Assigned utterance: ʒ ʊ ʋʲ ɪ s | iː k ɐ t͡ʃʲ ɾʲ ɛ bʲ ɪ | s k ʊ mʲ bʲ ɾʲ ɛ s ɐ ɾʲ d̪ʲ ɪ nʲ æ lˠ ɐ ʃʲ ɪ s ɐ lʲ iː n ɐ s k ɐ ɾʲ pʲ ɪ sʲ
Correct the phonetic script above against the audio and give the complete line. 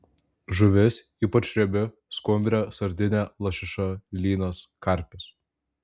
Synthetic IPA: ʒ ʊ ʋʲ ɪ s | iː p ɐ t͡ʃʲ ɾʲ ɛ bʲ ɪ | s k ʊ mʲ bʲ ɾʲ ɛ s ɐ ɾʲ d̪ʲ ɪ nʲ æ lˠ ɐ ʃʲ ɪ ʃ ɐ lʲ iː n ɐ s k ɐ ɾʲ pʲ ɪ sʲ